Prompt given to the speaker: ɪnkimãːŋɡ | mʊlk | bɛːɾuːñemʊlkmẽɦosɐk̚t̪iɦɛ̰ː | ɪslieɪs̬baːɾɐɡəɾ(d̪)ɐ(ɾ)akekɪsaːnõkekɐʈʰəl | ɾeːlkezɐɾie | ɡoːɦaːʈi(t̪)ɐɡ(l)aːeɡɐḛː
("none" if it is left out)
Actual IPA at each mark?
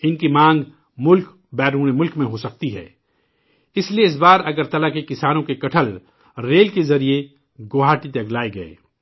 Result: t̪, l, t̪, l

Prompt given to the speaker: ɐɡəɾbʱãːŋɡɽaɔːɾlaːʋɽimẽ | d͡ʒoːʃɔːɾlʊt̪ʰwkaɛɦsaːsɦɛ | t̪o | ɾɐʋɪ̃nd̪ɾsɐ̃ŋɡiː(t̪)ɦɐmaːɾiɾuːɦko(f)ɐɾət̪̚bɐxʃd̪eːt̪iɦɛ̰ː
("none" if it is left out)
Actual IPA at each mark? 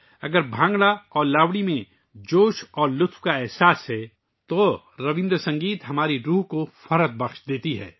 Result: t̪, f

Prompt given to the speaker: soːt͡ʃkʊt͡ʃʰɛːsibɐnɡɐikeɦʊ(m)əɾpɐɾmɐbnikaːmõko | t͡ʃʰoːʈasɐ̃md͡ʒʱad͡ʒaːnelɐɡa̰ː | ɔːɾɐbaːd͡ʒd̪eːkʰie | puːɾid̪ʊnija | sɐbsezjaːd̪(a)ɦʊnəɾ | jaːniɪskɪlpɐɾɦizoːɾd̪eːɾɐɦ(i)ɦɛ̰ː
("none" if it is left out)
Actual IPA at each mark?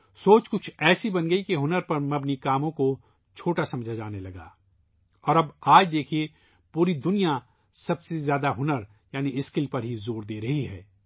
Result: n, a, i

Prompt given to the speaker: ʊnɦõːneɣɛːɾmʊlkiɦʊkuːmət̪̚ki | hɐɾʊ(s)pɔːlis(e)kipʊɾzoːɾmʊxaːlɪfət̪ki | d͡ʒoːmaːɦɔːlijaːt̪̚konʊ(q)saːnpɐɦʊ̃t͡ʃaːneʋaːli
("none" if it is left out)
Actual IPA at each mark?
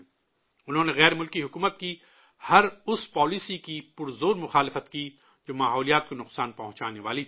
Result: s, i, q

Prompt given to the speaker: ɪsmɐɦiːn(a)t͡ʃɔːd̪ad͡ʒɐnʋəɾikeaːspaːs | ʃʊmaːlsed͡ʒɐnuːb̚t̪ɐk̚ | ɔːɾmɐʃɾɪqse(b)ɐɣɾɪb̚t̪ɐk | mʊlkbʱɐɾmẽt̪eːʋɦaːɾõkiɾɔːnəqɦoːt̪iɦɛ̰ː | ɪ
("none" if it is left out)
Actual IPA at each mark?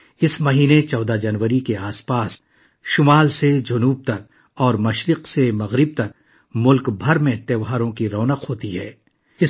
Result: e, m

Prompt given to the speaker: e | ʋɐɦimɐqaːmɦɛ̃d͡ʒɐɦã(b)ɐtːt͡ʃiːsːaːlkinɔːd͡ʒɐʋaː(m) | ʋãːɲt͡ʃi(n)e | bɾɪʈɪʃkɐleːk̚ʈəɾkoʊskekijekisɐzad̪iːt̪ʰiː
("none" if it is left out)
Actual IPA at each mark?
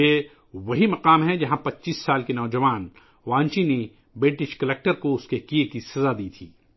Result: p, n, n

